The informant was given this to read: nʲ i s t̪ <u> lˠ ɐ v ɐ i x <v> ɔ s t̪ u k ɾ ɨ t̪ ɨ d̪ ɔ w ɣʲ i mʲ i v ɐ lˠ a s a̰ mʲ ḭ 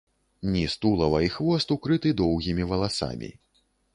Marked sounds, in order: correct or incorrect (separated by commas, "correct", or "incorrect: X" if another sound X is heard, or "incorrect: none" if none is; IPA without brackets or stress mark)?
correct, correct